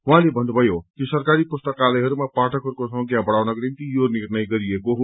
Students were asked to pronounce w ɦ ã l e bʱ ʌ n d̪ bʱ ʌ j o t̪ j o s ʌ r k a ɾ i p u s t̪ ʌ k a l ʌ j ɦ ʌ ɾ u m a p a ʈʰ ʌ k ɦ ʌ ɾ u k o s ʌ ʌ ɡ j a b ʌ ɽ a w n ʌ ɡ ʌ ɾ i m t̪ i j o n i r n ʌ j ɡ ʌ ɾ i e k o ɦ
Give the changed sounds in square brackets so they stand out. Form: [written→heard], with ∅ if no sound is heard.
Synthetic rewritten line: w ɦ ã l e bʱ ʌ n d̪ bʱ ʌ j o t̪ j o s ʌ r k a ɾ i p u s t̪ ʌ k a l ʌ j ɦ ʌ ɾ u m a p a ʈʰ ʌ k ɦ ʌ ɾ u k o s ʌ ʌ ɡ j a b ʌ ɽ a w n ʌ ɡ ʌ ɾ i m t̪ i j o n i r n ʌ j ɡ ʌ ɾ i e k o ɦ

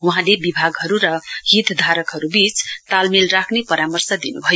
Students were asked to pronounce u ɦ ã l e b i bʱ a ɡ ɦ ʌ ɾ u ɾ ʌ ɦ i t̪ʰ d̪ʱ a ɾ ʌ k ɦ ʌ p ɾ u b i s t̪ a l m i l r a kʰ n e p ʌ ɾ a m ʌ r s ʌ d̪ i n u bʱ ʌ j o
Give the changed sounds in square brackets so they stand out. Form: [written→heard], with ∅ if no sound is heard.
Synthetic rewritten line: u ɦ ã l e b i bʱ a ɡ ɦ ʌ ɾ u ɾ ʌ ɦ i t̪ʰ d̪ʱ a ɾ ʌ k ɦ ʌ [p→∅] ɾ u b i [s→t͡s] t̪ a l m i l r a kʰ n e p ʌ ɾ a m ʌ r s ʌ d̪ i n u bʱ ʌ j o

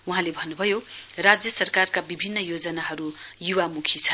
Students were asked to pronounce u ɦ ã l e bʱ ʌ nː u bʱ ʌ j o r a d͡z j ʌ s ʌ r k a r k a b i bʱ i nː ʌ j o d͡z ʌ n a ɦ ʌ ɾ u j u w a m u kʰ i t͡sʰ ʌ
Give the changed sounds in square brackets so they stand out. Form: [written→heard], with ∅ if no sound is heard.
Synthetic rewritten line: u ɦ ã l e bʱ ʌ nː u bʱ ʌ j o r a d͡z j ʌ s ʌ r k a r k a b i bʱ i nː ʌ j o d͡z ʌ n a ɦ ʌ ɾ u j u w a m u kʰ i t͡sʰ ʌ

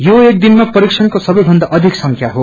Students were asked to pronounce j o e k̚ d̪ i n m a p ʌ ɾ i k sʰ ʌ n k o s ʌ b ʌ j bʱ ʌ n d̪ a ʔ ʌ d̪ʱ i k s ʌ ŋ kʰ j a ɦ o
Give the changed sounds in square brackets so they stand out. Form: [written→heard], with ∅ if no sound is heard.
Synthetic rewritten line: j o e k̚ d̪ i n m a p ʌ ɾ i k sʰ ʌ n k o s ʌ b ʌ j bʱ ʌ n d̪ a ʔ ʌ d̪ʱ i k s ʌ ŋ kʰ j a ɦ o

